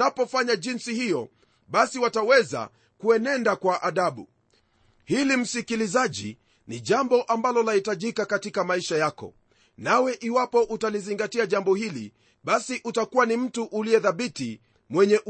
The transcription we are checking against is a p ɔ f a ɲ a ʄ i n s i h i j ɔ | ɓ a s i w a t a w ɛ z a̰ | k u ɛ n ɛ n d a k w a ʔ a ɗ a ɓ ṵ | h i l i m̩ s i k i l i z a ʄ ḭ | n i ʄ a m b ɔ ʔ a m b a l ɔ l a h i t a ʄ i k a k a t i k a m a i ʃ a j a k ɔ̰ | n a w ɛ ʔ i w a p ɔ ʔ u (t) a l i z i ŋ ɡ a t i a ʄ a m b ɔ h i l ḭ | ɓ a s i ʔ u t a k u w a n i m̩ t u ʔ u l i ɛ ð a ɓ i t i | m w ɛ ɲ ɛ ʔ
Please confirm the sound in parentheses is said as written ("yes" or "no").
yes